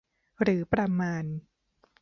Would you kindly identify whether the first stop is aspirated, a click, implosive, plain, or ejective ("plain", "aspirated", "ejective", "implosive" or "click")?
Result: plain